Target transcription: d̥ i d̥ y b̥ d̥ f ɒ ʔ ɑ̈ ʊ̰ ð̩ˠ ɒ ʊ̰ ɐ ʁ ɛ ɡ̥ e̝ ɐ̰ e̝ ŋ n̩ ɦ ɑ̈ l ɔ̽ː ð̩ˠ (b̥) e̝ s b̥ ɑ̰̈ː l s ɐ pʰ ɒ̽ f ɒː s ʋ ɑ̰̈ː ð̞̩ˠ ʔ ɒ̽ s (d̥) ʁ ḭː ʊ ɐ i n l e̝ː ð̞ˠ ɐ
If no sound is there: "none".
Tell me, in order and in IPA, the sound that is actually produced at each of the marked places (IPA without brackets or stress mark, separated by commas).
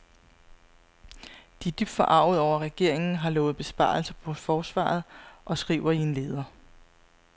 b̥, ɡ̥